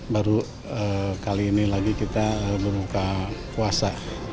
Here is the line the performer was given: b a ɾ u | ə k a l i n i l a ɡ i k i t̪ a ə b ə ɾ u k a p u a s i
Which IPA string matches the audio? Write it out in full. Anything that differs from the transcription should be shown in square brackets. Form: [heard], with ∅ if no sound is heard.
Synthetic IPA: b a ɾ u | ə k a l [iː] n i l a ɡ i k i t̪ a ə b ə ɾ u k a [k] u a s [a]